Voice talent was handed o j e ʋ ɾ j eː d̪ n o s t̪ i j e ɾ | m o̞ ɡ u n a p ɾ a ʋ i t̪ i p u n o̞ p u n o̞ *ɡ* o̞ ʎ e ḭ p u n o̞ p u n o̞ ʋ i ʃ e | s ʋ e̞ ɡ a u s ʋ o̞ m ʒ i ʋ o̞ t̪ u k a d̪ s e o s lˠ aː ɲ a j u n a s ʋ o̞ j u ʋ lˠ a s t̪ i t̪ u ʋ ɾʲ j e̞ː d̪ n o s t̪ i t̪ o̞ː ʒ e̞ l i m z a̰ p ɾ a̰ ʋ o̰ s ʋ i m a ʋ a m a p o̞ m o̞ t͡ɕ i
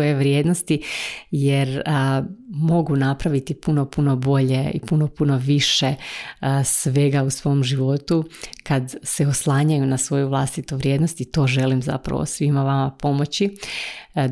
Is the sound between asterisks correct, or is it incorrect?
incorrect